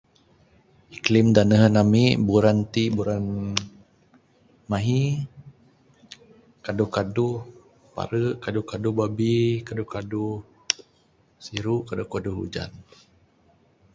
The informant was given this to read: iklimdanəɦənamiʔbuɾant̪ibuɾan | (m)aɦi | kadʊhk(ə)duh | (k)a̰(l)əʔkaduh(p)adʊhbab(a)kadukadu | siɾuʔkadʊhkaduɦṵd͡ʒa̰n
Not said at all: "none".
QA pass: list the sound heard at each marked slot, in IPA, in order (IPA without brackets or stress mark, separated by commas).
m, a, p, ɾ, k, i